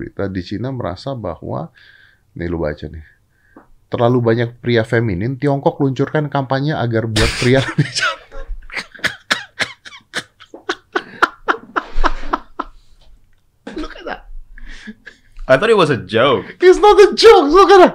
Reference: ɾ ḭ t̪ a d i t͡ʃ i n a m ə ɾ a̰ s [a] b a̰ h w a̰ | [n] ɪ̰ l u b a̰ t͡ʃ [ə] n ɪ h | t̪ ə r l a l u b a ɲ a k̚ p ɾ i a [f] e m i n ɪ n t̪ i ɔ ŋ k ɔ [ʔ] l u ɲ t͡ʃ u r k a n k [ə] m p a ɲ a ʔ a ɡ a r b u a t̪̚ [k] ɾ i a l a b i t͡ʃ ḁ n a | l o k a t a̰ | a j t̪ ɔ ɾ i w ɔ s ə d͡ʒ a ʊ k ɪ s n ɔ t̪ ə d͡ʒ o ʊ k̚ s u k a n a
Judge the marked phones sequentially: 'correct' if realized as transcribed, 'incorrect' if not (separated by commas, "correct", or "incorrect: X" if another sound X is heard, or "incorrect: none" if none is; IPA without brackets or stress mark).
correct, correct, incorrect: a, correct, incorrect: k, incorrect: a, incorrect: p